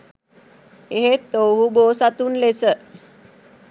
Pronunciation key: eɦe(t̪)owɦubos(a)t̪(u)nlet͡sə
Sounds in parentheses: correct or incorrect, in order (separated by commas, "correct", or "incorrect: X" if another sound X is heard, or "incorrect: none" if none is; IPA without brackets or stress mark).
correct, correct, incorrect: uː